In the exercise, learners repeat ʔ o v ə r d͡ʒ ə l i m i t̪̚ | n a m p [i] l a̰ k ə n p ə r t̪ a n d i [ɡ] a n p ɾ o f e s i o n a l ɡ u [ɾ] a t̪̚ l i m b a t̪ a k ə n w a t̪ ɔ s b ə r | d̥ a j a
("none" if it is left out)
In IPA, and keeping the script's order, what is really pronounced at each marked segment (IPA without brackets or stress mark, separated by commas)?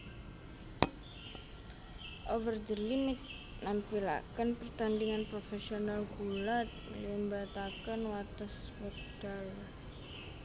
i, ŋ, l